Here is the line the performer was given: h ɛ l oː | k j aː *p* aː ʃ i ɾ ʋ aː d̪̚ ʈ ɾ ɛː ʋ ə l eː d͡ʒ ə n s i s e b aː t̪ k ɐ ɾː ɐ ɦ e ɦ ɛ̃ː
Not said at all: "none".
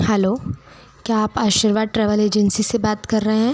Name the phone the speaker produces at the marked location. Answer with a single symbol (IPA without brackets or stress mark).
p